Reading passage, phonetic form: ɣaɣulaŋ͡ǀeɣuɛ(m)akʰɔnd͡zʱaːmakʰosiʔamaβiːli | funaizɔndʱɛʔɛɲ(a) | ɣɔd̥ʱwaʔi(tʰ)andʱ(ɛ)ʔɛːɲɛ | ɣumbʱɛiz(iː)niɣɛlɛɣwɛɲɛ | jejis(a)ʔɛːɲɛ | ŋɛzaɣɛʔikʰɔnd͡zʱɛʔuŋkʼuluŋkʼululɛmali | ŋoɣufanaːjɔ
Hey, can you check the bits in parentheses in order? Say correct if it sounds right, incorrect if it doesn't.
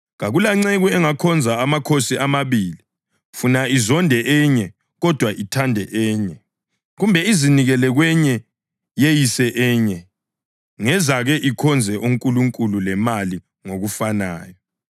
incorrect: ŋ, incorrect: ɛ, correct, correct, incorrect: i, incorrect: ɛ

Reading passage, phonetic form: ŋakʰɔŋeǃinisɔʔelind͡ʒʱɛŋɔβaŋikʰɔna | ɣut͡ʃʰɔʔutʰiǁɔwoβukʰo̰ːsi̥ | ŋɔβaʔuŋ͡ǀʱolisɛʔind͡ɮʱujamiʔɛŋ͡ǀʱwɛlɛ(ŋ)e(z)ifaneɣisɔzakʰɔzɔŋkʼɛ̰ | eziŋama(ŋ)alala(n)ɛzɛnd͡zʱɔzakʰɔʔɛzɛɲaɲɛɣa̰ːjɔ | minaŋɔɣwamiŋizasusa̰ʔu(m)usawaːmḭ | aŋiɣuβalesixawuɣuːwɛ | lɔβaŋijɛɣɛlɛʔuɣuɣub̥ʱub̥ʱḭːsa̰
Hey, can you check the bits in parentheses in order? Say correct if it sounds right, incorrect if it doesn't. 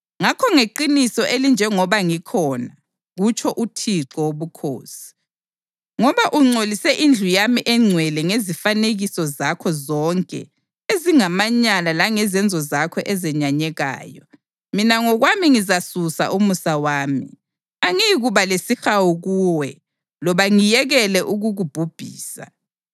correct, correct, incorrect: ɲ, incorrect: ŋ, correct

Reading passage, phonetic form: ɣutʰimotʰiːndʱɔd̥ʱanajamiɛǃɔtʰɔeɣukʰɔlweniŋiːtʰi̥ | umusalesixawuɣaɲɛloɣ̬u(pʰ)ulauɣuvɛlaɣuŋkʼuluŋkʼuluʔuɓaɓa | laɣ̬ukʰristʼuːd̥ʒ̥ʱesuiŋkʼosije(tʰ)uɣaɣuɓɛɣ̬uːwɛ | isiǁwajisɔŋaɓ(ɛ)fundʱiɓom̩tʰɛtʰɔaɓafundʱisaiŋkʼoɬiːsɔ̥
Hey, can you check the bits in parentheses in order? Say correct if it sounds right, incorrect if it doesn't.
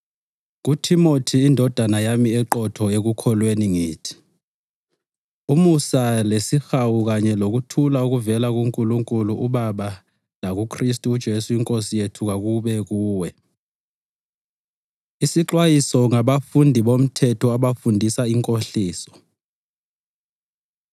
incorrect: tʰ, correct, incorrect: a

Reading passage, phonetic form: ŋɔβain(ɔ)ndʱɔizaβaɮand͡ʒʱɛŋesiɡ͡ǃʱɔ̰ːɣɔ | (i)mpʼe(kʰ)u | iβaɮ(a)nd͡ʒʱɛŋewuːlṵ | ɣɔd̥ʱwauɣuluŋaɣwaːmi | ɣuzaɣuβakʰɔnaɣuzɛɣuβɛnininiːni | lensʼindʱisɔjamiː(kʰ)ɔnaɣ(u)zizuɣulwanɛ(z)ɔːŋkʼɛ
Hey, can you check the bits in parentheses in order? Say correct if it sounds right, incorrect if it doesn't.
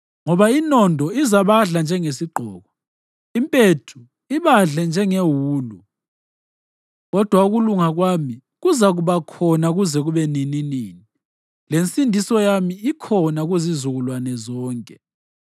correct, correct, incorrect: tʰ, incorrect: ɛ, correct, correct, correct

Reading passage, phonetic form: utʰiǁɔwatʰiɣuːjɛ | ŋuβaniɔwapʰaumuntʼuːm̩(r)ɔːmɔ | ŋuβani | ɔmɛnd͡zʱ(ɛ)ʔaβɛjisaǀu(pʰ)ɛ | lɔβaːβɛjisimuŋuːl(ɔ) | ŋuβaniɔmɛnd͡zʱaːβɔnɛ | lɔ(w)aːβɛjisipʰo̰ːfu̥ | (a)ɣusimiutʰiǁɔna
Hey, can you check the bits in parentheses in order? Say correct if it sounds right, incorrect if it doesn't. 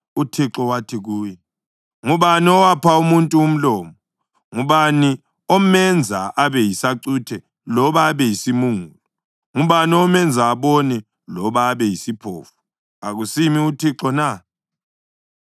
incorrect: l, incorrect: a, incorrect: tʰ, correct, incorrect: β, correct

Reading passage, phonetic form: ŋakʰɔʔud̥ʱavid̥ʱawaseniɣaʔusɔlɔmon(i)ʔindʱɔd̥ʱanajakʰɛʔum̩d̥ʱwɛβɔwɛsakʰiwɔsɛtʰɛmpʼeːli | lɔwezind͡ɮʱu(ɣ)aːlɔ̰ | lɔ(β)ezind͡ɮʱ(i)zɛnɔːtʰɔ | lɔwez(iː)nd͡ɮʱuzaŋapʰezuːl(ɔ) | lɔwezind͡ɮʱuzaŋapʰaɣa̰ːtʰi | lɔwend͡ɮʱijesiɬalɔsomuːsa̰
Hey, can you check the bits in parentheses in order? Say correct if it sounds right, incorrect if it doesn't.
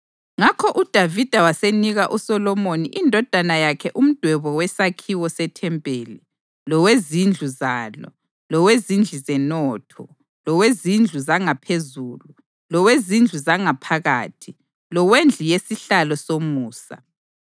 correct, incorrect: z, incorrect: w, correct, incorrect: i, incorrect: u

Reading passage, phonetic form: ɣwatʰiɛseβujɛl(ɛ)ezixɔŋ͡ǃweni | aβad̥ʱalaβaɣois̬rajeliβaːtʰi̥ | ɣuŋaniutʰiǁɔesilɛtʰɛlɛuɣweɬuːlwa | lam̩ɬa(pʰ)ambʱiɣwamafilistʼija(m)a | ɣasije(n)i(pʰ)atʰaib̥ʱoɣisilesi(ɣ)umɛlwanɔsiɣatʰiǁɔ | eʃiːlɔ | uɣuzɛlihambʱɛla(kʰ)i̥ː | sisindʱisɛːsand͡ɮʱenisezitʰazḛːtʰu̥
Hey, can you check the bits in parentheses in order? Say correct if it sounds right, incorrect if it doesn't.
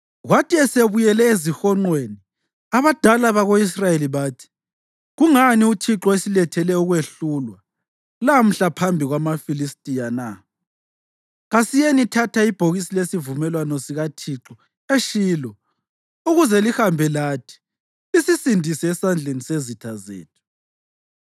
correct, correct, incorrect: n, correct, incorrect: tʰ, incorrect: v, incorrect: tʰ

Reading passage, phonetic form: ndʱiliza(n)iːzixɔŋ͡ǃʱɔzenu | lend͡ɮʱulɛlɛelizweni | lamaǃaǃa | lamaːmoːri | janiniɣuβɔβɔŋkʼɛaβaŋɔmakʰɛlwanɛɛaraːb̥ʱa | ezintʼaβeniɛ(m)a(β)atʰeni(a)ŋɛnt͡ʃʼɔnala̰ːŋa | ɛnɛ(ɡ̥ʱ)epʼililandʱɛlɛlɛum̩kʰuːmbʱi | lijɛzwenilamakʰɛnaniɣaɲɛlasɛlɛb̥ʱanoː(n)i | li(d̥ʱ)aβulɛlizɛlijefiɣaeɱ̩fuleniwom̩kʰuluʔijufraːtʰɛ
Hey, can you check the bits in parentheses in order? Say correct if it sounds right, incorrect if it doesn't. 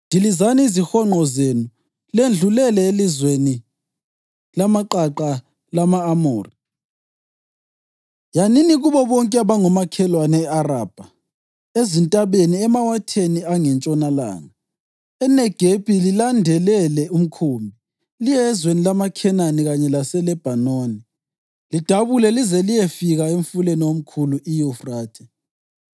correct, correct, incorrect: w, correct, correct, correct, correct

